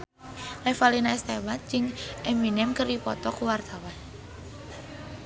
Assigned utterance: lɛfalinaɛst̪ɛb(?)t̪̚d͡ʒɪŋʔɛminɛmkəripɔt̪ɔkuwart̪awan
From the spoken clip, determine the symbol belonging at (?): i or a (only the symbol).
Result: a